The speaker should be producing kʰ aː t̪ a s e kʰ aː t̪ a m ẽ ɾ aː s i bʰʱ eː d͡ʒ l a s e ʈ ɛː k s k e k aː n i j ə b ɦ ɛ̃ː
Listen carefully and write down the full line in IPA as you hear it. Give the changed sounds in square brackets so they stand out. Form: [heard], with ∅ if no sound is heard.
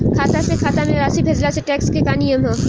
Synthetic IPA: kʰ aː t̪ a s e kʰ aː t̪ a m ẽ ɾ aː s i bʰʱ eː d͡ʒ l a s e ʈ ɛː k s k e k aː n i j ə [m] ɦ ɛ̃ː